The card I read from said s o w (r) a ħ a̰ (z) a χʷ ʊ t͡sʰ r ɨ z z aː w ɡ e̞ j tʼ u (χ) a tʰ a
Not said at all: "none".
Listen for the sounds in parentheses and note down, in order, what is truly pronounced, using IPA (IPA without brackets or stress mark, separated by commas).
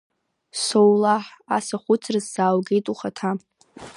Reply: l, s, χ